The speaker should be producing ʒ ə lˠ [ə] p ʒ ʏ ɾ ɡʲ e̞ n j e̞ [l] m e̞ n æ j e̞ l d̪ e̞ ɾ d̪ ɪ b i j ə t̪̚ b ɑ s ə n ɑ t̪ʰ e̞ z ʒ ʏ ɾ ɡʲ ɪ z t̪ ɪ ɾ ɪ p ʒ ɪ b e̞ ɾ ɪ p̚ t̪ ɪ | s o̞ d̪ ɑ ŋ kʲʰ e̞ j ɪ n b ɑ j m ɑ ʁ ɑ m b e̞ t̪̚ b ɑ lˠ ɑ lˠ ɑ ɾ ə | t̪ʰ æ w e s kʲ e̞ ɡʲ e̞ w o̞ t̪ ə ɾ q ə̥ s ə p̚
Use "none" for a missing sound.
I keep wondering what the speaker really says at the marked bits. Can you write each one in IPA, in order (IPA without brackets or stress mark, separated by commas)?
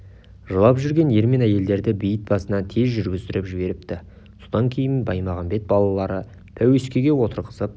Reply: ɑ, ɾ